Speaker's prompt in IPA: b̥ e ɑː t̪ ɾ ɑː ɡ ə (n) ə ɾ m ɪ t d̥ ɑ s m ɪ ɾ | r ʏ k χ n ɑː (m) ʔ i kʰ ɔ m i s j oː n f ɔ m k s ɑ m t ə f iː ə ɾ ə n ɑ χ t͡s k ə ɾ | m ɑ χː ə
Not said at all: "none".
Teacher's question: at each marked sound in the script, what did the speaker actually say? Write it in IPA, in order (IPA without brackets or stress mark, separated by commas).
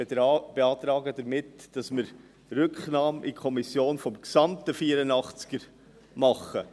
d, m